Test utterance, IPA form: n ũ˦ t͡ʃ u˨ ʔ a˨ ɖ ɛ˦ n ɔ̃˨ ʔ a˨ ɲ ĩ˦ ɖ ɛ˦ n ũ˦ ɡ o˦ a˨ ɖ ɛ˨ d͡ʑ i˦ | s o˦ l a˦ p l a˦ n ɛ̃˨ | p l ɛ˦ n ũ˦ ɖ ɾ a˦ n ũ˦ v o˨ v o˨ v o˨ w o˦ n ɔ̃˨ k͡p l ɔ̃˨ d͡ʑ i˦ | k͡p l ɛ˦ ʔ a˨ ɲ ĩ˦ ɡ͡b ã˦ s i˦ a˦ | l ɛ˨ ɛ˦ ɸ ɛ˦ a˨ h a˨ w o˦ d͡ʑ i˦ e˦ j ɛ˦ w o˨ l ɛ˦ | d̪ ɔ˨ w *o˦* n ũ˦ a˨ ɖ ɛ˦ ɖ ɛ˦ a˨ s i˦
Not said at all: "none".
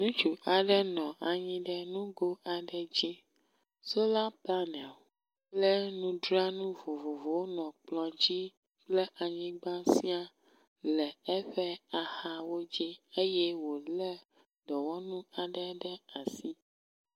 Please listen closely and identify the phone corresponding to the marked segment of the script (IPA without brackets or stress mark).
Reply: ɔ˦